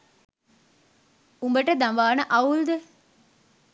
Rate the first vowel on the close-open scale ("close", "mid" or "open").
close